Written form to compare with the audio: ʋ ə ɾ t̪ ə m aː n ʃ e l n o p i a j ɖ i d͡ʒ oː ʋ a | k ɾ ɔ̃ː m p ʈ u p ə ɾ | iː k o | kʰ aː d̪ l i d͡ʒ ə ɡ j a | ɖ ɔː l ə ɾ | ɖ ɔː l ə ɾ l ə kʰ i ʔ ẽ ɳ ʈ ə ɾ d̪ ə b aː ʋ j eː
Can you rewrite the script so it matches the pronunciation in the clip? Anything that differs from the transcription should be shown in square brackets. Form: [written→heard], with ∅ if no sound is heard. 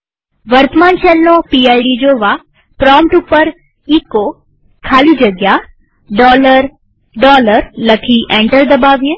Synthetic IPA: ʋ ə ɾ t̪ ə m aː n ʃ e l n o p i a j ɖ i d͡ʒ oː ʋ a | [k→p] ɾ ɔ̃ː m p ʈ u p ə ɾ | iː k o | kʰ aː [d̪→∅] l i d͡ʒ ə ɡ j a | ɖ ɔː l ə ɾ | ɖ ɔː l ə ɾ l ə kʰ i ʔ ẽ ɳ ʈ ə ɾ d̪ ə b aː ʋ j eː